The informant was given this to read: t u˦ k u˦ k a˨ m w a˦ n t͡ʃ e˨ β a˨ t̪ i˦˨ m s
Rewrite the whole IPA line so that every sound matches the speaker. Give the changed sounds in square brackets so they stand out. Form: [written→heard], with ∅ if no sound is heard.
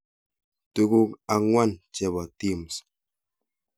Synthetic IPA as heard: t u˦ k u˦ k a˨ [m→ŋ] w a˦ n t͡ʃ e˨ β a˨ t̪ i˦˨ m s